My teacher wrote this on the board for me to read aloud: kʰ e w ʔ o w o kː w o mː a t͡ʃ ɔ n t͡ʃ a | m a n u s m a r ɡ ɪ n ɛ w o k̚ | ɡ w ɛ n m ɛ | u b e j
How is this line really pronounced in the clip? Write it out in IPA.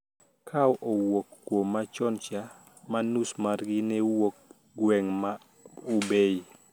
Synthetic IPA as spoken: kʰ a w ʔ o w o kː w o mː a t͡ʃ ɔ n t͡ʃ a | m a n u s m a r ɡ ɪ n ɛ w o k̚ | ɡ w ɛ ŋ m a | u b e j

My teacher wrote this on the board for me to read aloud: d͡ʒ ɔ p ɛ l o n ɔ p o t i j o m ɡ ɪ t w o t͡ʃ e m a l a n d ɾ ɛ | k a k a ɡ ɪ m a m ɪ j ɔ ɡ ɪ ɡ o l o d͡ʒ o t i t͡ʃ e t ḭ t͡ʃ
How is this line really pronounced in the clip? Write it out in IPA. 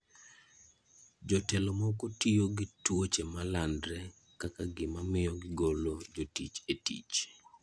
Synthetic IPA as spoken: d͡ʒ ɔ t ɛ l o m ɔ k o t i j o ɡ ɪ t w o t͡ʃ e m a l a n d ɾ ɛ | k a k a ɡ ɪ m a m ɪ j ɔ ɡ ɪ ɡ o l o d͡ʒ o t i t͡ʃ e t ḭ t͡ʃ

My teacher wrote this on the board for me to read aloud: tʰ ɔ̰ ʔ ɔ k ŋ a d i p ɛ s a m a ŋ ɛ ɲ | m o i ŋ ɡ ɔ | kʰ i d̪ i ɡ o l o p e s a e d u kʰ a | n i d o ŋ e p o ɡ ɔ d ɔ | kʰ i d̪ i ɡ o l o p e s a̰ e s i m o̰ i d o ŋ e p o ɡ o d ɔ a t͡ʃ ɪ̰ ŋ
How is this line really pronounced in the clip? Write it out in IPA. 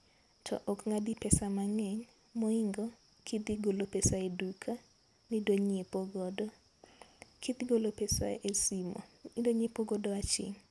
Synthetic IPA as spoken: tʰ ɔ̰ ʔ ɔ k ŋ a d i p ɛ s a m a ŋ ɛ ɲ | m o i ŋ ɡ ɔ | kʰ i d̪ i ɡ o l o p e s a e d u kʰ a | n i d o ɲ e p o ɡ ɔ d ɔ | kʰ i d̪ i ɡ o l o p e s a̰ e s i m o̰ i d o ɲ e p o ɡ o d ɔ a t͡ʃ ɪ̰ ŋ

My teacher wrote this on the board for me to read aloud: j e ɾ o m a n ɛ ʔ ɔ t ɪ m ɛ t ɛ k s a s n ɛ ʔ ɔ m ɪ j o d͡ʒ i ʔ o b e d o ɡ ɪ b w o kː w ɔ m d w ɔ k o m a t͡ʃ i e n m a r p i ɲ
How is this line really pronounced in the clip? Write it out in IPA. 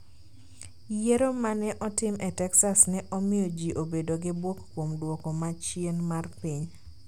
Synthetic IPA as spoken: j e ɾ o m a n ɛ ʔ ɔ t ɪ m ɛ t ɛ k s a s n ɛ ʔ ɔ m ɪ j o d͡ʒ i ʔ o b e d o ɡ ɪ b w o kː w o m d w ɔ k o m a t͡ʃ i e n m a r p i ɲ

